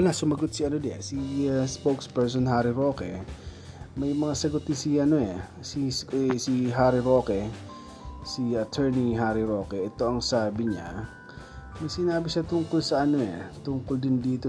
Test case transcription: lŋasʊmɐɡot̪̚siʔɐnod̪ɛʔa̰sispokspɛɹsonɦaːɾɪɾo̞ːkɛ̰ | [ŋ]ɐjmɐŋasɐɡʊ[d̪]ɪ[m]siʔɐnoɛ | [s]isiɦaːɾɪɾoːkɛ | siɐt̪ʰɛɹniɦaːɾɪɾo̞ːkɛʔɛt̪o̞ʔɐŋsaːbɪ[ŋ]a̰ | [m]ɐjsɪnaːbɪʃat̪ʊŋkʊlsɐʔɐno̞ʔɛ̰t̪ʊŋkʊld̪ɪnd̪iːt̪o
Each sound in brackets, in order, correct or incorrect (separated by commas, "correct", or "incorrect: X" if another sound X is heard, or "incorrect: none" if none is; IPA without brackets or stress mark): incorrect: m, incorrect: t̪, incorrect: n, correct, incorrect: ɲ, correct